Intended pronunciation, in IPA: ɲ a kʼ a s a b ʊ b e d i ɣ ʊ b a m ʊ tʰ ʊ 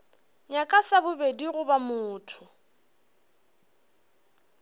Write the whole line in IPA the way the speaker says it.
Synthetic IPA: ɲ a kʼ a s a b ʊ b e d i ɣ ʊ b a m ʊː tʰ ʊ